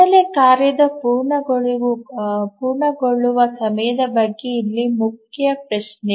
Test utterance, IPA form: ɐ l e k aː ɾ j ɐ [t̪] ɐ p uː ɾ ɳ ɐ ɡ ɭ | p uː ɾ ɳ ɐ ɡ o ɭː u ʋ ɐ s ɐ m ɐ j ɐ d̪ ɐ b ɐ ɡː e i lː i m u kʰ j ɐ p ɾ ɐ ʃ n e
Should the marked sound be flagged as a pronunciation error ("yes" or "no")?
yes